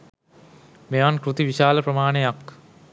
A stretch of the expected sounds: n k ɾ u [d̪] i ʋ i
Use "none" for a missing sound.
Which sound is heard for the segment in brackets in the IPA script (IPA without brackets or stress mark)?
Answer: t̪